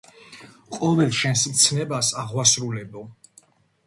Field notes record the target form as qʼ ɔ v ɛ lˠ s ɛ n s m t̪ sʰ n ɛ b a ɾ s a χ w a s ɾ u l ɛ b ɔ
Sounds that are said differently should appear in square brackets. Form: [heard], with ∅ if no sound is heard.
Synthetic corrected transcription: qʼ ɔ v ɛ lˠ [ʃ] ɛ n s m t̪ sʰ n ɛ b a [∅] s a [ʁ] w a s ɾ u l ɛ b ɔ